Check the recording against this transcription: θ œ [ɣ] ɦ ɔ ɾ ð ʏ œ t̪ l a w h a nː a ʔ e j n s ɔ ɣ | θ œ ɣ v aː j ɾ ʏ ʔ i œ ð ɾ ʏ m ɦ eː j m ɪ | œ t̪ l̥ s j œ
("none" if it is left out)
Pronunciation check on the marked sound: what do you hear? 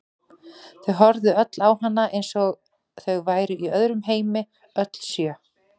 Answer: ɣ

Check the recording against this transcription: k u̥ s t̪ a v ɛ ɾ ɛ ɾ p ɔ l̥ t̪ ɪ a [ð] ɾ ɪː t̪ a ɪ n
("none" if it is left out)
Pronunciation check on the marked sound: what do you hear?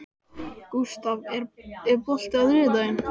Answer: ð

